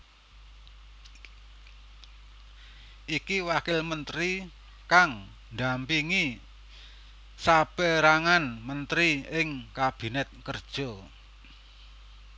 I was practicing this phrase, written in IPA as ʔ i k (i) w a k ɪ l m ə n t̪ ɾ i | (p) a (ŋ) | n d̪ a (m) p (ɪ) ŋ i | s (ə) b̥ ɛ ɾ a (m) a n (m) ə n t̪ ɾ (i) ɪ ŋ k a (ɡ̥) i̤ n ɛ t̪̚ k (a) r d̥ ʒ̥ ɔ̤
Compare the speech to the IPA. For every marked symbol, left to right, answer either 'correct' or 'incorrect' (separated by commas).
correct, incorrect, correct, correct, incorrect, incorrect, incorrect, correct, correct, incorrect, incorrect